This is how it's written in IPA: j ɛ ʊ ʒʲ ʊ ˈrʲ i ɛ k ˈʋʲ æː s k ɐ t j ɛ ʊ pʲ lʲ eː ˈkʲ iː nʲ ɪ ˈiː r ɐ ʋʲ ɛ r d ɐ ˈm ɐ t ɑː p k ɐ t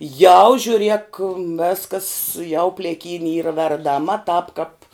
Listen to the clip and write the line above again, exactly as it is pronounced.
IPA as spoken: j ɛ ʊ ʒʲ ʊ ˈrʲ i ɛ k ˈʋʲ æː s k ɐ s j ɛ ʊ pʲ lʲ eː ˈkʲ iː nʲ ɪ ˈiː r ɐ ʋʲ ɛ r d ɐ ˈm ɐ t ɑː p k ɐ p